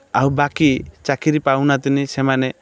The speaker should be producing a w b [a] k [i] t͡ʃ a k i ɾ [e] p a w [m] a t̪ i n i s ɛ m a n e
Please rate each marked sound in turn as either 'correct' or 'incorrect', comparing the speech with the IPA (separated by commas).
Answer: correct, correct, incorrect, incorrect